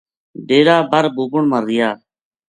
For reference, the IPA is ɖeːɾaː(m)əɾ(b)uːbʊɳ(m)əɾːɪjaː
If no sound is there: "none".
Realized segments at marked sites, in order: b, b, m

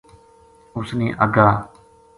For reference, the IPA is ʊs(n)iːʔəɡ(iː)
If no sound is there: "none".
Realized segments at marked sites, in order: n, aː

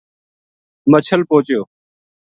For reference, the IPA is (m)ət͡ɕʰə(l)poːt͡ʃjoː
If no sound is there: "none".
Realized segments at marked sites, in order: m, l

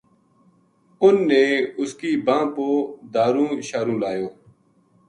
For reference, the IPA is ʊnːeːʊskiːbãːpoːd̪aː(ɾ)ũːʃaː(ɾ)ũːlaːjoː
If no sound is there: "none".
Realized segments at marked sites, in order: ɾ, ɾ

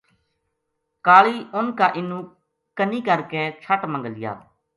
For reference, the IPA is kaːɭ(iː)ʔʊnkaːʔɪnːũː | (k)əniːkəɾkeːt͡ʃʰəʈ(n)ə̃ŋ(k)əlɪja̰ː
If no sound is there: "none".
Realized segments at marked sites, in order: iː, k, m, ɡ

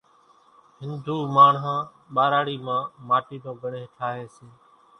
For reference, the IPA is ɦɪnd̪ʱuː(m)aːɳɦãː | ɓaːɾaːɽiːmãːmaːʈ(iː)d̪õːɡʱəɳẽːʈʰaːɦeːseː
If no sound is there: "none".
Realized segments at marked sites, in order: m, iː

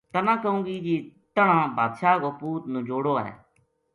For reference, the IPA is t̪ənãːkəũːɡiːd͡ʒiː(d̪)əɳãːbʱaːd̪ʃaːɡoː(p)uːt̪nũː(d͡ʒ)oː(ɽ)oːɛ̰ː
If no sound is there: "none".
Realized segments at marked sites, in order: t̪, p, d͡ʒ, ɽ

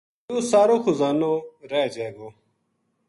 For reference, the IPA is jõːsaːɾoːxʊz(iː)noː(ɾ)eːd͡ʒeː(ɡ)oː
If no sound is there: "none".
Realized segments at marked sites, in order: aː, ɾ, ɡ

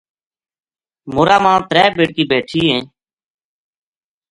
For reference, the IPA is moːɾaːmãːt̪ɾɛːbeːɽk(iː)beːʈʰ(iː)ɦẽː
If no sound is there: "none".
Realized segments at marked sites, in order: iː, iː

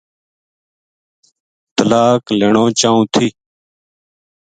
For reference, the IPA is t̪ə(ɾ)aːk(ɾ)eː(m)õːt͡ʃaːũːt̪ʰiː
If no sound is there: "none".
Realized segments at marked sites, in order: l, l, ɳ

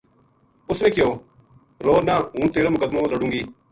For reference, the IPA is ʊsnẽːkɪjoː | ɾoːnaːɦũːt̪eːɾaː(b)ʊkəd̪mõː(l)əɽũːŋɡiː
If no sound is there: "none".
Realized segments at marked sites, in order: m, l

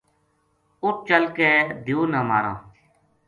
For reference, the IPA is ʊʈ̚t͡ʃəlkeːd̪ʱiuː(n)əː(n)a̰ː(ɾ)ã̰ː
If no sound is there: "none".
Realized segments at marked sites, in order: n, m, ɾ

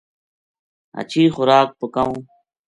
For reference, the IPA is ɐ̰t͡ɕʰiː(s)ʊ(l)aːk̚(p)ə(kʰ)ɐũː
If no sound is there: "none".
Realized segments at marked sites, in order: x, ɾ, p, k

